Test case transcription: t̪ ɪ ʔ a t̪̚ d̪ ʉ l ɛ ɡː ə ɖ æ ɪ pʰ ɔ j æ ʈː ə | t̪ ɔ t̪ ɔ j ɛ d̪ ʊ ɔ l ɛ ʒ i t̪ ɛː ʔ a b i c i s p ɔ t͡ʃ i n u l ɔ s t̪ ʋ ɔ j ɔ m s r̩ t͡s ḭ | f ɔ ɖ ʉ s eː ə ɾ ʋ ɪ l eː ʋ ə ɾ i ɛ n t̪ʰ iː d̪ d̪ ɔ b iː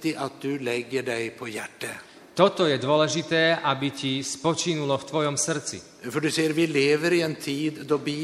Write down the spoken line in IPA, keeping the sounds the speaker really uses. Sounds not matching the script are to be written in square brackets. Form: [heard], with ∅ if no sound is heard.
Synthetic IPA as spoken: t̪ ɪ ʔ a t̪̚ d̪ ʉ l ɛ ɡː ə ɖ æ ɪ pʰ ɔ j æ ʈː ə | t̪ ɔ t̪ ɔ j ɛ d̪ ʊ ɔ l ɛ ʒ i t̪ ɛː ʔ a b i c i s p ɔ t͡ʃ i n u l ɔ [f] t̪ ʋ ɔ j ɔ m s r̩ t͡s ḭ | f ɔ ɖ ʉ s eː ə ɾ ʋ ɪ l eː ʋ ə ɾ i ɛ n t̪ʰ iː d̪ d̪ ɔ b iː